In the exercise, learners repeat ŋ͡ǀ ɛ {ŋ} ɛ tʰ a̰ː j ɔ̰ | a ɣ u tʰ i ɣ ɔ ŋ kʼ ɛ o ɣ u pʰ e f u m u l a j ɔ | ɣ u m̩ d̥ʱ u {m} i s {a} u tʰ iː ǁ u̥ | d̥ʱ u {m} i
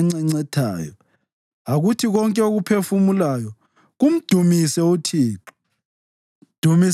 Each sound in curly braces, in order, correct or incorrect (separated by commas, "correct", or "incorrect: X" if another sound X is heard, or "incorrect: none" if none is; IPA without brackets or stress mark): incorrect: ŋ͡ǀ, correct, incorrect: ɛ, correct